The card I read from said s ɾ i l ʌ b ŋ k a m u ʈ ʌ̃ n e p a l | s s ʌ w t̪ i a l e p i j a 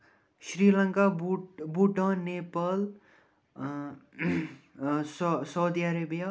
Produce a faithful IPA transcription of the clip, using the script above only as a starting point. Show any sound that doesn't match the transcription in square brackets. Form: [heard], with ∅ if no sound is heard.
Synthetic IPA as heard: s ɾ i l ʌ [∅] ŋ k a [b] u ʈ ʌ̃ n e p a l | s s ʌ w [d̪] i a [ɾ] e [b] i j a